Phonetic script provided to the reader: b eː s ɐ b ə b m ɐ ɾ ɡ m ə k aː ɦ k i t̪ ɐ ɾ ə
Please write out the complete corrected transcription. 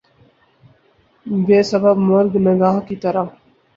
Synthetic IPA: b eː s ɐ b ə b m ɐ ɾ ɡ n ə ɡ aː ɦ k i t̪ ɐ ɾ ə